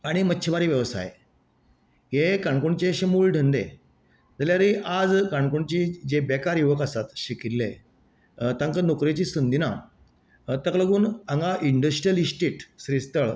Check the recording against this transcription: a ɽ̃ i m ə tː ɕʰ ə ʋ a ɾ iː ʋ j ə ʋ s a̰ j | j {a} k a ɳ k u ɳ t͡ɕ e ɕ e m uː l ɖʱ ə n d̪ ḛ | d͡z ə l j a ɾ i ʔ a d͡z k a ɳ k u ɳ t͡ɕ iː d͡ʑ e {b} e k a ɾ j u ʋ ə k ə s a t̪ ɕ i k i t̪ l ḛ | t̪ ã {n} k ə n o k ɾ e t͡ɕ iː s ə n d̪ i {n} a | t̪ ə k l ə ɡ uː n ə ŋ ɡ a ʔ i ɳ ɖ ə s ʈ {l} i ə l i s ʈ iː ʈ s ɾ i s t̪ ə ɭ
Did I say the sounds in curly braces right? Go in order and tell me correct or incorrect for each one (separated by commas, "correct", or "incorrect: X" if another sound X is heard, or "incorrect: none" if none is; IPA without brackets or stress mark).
incorrect: e, correct, incorrect: ŋ, correct, incorrect: ɾ